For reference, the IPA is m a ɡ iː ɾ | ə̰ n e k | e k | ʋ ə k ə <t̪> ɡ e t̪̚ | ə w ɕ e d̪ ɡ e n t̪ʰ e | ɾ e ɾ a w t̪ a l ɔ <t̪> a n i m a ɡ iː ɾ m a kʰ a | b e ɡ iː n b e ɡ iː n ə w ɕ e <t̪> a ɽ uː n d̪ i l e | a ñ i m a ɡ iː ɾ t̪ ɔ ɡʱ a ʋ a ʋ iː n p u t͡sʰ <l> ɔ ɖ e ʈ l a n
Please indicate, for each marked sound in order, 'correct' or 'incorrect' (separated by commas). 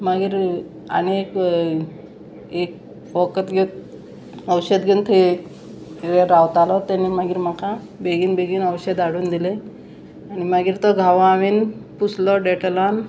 correct, correct, incorrect, correct